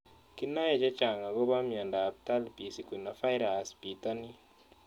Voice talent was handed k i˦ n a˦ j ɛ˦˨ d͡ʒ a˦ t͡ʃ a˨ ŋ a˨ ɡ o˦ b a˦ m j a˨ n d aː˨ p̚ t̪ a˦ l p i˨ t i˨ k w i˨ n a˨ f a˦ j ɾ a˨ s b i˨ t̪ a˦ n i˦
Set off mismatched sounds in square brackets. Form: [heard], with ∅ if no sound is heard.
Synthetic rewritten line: k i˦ n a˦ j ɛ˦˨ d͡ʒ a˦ t͡ʃ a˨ ŋ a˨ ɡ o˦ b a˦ m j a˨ n d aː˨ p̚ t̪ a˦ l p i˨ [s] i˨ k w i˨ n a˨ f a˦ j ɾ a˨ s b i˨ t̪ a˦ n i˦